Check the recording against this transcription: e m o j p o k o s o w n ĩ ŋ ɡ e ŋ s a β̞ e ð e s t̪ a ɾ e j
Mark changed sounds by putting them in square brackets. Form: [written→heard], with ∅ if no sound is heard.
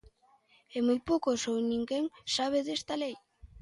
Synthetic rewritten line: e m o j p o k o s o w n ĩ ŋ ɡ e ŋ s a β̞ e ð e s t̪ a [ɾ→l] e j